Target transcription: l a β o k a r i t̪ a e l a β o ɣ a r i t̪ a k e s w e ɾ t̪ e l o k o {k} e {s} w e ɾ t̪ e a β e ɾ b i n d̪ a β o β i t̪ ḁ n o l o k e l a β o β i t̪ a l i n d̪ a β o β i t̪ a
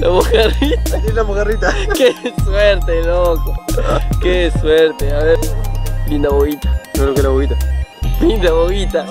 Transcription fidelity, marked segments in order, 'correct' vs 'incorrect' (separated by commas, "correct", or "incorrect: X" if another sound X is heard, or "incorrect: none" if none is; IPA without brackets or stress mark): correct, correct